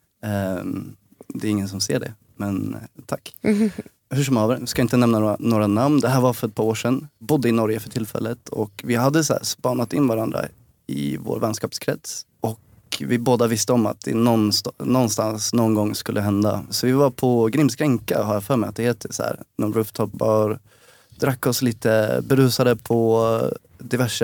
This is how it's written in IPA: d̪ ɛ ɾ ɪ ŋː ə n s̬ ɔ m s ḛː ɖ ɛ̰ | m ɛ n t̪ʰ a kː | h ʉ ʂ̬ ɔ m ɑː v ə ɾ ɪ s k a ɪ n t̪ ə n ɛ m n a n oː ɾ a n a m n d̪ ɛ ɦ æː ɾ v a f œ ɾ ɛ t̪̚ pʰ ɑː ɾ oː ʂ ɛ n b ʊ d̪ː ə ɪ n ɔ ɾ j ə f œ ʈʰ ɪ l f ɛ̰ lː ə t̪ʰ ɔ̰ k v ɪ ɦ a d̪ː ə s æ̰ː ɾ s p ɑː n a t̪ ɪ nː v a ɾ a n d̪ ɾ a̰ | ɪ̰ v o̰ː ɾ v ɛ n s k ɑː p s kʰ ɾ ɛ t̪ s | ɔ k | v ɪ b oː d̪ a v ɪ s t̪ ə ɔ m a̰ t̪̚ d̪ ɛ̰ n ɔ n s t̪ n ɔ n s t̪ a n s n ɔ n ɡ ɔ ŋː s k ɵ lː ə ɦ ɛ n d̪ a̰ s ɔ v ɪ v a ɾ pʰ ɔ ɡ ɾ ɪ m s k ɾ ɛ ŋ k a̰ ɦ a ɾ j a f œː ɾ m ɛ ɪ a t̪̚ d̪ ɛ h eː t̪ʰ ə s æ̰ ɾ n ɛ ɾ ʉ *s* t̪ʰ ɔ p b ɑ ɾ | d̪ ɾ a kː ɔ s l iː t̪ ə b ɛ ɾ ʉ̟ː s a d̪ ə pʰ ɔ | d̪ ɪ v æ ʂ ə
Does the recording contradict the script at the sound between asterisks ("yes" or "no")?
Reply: yes